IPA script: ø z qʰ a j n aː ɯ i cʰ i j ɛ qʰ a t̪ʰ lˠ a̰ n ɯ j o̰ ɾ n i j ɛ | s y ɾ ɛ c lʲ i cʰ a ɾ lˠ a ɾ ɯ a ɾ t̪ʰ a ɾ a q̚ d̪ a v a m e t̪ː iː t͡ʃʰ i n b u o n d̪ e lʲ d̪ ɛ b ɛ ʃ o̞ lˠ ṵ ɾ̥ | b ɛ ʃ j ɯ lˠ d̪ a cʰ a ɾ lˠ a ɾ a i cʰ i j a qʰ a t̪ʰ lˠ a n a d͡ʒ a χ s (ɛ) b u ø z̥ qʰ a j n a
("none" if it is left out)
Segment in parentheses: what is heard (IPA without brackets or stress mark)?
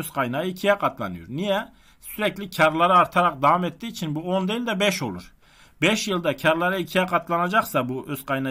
a